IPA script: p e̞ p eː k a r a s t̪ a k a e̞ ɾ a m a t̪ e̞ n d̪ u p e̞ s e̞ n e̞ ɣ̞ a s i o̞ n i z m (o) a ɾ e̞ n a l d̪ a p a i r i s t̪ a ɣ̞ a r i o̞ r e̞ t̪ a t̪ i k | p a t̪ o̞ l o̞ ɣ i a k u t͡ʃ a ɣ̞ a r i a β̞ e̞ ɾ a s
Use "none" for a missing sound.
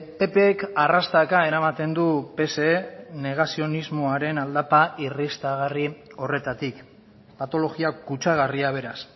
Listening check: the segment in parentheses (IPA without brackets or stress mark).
o